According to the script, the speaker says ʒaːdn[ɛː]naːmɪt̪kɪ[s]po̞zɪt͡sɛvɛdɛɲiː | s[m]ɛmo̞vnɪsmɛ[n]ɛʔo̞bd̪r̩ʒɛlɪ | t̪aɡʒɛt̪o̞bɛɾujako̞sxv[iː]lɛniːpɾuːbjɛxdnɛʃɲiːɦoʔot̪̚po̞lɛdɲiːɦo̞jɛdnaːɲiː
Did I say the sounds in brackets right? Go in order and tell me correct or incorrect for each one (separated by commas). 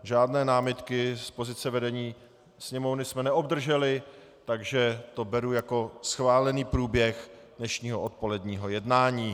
correct, correct, incorrect, correct, incorrect